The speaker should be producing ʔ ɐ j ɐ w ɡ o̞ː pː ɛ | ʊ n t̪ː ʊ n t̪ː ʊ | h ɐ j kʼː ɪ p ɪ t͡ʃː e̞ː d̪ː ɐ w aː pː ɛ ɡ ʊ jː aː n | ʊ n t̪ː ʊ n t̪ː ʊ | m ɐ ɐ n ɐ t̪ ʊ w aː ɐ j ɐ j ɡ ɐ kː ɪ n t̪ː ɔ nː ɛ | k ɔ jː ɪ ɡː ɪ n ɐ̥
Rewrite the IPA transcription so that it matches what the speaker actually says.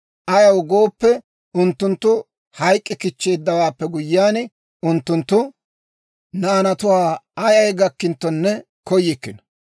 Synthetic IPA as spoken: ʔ ɐ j ɐ w ɡ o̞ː pː ɛ | ʊ n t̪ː ʊ n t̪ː ʊ | h ɐ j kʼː ɪ k ɪ t͡ʃː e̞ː d̪ː ɐ w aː pː ɛ ɡ ʊ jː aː n | ʊ n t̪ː ʊ n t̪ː ʊ | n ɐ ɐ n ɐ t̪ ʊ w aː ɐ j ɐ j ɡ ɐ kː ɪ n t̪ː ɔ nː ɛ | k ɔ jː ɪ kː ɪ n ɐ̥

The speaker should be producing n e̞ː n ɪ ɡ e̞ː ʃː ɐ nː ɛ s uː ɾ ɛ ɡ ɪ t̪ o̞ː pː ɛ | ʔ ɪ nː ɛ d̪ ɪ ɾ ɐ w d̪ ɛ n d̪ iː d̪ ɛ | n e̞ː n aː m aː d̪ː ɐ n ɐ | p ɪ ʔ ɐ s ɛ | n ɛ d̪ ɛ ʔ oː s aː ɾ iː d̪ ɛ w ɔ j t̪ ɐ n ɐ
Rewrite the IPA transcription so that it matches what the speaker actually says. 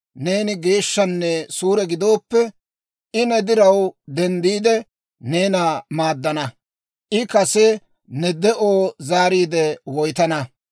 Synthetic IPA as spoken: n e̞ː n ɪ ɡ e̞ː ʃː ɐ nː ɛ s uː ɾ ɛ ɡ ɪ d̪ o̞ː pː ɛ | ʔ ɪ n ɛ d̪ ɪ ɾ ɐ w d̪ ɛ n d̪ iː d̪ ɛ | n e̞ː n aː m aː d̪ː ɐ n ɐ | ʔ ɪ k ɐ s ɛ | n ɛ d̪ ɛ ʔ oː z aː ɾ iː d̪ ɛ w ɔ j t̪ ɐ n ɐ

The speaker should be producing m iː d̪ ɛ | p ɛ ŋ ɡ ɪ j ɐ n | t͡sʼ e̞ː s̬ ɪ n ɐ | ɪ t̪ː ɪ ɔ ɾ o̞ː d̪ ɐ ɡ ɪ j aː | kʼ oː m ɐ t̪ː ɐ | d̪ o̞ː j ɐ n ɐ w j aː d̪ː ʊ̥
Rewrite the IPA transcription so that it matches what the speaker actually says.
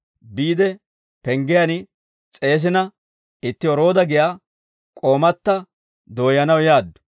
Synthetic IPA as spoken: b iː d̪ ɛ | p ɛ ŋ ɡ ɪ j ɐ n | t͡sʼ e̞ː s̬ ɪ n ɐ | ɪ t̪ː ɪ ɔ ɾ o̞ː d̪ ɐ ɡ ɪ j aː | kʼ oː m ɐ t̪ː ɐ | d̪ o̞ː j ɐ n ɐ w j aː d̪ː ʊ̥

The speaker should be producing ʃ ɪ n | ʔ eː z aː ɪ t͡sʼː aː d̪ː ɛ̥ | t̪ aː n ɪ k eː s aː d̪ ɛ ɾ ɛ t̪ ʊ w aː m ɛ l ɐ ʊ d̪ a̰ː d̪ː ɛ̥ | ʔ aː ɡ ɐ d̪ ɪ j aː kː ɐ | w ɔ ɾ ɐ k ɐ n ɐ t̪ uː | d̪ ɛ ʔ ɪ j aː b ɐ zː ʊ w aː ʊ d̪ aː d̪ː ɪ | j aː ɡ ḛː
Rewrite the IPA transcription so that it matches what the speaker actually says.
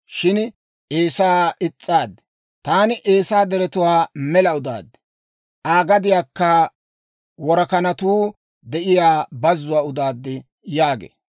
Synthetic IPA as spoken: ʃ ɪ n | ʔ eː s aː ɪ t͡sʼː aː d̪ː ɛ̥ | t̪ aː n ɪ ʔ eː s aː d̪ ɛ ɾ ɛ t̪ ʊ w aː m ɛ l ɐ ʊ d̪ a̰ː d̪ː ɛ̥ | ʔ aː ɡ ɐ d̪ ɪ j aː kː ɐ | w ɔ ɾ ɐ k ɐ n ɐ t̪ uː | d̪ ɛ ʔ ɪ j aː b ɐ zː ʊ w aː ʊ d̪ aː d̪ː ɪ | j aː ɡ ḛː

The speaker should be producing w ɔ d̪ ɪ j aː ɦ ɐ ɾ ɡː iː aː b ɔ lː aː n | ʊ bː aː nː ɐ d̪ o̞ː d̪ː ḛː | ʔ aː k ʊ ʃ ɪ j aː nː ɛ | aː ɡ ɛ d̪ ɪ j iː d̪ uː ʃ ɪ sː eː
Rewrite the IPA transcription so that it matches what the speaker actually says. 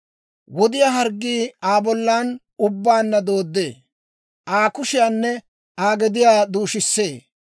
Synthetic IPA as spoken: w ɔ d̪ ɪ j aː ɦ ɐ ɾ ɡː iː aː b ɔ lː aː n | ʊ bː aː nː ɐ d̪ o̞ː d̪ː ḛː | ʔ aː k ʊ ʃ ɪ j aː nː ɛ | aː ɡ ɛ d̪ ɪ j aː d̪ uː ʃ ɪ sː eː

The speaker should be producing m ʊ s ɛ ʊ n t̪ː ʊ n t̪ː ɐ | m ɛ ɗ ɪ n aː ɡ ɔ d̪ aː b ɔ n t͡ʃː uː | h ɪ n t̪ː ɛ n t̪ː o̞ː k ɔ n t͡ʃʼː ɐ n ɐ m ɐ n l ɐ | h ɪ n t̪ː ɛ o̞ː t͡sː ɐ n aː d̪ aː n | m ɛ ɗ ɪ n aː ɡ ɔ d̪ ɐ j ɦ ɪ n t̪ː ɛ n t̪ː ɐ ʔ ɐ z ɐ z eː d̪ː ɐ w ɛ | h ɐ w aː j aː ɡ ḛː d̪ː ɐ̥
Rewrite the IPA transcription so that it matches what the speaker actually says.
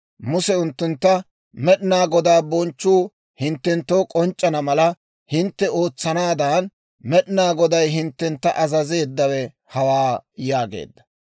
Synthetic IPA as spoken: m ʊ s ɛ ʊ n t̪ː ʊ n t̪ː ɐ | m ɛ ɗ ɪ n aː ɡ ɔ d̪ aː b ɔ n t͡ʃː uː | h ɪ n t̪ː ɛ n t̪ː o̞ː kʼ ɔ n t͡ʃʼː ɐ n ɐ m ɐ l ɐ | h ɪ n t̪ː ɛ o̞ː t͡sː ɐ n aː d̪ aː n | m ɛ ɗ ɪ n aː ɡ ɔ d̪ ɐ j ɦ ɪ n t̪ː ɛ n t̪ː ɐ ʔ ɐ z ɐ z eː d̪ː ɐ w ɛ | h ɐ w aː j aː ɡ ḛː d̪ː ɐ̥

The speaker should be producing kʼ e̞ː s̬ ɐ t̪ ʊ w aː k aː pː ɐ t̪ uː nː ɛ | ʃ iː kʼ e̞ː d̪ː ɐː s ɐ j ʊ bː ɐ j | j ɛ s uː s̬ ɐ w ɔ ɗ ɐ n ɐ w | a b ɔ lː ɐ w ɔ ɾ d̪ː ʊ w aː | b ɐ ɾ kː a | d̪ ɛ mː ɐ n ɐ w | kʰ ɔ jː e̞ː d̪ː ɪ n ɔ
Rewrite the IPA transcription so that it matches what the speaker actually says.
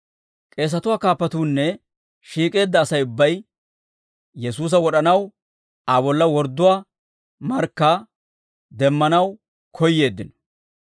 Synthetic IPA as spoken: kʼ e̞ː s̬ ɐ t̪ ʊ w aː k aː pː ɐ t̪ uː nː ɛ | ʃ iː kʼ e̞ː d̪ː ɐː s ɐ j ʊ bː ɐ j | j ɛ s uː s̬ ɐ w ɔ ɗ ɐ n ɐ w | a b ɔ lː ɐ w ɔ ɾ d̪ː ʊ w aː | m ɐ ɾ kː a | d̪ ɛ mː ɐ n ɐ w | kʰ ɔ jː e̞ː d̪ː ɪ n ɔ

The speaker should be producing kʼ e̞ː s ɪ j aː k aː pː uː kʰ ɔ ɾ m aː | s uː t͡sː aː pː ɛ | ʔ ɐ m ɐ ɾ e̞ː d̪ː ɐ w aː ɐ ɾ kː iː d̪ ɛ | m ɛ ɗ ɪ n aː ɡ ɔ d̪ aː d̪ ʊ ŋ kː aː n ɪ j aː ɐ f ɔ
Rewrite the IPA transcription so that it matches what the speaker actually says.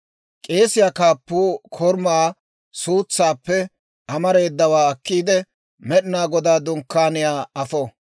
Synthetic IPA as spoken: kʼ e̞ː s ɪ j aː k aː pː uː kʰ ɔ ɾ m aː | s uː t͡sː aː pː ɛ | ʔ ɐ m ɐ ɾ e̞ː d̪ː ɐ w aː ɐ kː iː d̪ ɛ | m ɛ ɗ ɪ n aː ɡ ɔ d̪ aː d̪ ʊ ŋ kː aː n ɪ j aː ɐ f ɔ

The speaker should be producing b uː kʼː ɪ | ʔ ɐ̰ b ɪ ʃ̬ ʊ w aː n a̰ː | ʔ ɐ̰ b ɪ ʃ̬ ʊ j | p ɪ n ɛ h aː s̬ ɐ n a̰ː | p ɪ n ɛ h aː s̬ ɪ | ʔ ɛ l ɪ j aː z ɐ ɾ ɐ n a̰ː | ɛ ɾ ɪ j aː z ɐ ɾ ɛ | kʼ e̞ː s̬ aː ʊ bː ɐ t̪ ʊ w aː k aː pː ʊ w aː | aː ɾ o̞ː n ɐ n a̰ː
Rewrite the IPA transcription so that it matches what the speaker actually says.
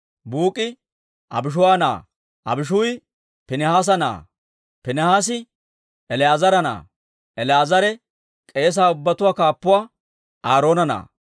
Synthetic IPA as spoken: b uː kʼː ɪ | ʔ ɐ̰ b ɪ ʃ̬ ʊ w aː n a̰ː | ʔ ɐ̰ b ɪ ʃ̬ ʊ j | p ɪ n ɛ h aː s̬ ɐ n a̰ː | p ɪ n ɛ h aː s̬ ɪ | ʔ ɛ l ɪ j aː z ɐ ɾ ɐ n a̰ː | ɛ l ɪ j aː z ɐ ɾ ɛ | kʼ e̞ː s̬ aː ʊ bː ɐ t̪ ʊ w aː k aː pː ʊ w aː | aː ɾ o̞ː n ɐ n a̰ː

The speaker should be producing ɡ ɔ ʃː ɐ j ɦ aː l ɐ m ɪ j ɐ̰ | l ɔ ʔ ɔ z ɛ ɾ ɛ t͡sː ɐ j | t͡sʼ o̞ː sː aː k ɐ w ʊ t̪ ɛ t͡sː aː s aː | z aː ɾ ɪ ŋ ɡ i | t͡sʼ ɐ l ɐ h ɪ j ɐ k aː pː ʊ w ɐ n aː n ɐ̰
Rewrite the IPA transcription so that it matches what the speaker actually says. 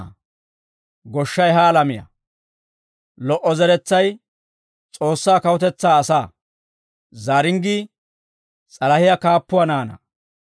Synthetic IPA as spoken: ɡ ɔ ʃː ɐ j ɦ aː l ɐ m ɪ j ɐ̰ | l ɔ ʔ ɔ z ɛ ɾ ɛ t͡sː ɐ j | t͡sʼ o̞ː sː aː k ɐ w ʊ t̪ ɛ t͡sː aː s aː | z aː ɾ ɪ ŋ ɡ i | t͡sʼ ɐ l ɐ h ɪ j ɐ k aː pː ʊ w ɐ n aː n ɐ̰

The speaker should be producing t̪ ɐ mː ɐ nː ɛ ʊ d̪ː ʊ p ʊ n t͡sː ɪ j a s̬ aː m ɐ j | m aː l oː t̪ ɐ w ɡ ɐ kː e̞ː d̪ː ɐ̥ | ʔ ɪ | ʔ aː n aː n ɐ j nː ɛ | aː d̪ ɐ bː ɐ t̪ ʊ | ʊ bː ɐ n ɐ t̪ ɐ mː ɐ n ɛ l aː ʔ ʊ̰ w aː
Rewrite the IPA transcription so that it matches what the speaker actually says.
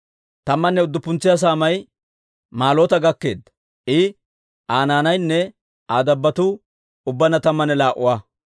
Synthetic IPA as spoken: t̪ ɐ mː ɐ nː ɛ ʊ d̪ː ʊ p ʊ n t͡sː ɪ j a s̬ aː m ɐ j | m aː l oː t̪ ɐ ɡ ɐ kː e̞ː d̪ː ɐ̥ | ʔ ɪ | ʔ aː n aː n ɐ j nː ɛ | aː d̪ ɐ bː ɐ t̪ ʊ | ʊ bː ɐ n ɐ t̪ ɐ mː ɐ n ɛ l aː ʔ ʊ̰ w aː

